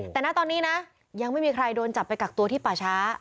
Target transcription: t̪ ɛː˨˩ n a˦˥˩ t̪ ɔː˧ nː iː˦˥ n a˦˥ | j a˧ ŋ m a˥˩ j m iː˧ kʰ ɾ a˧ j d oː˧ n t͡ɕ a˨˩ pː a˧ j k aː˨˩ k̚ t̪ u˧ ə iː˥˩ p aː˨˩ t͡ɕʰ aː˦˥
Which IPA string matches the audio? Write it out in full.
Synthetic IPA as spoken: t̪ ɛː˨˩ n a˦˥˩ t̪ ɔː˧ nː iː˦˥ n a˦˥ | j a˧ ŋ m a˥˩ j m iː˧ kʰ ɾ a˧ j d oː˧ n t͡ɕ a˨˩ pː a˧ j k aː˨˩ k̚ t̪ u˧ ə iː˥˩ p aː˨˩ t͡ɕʰ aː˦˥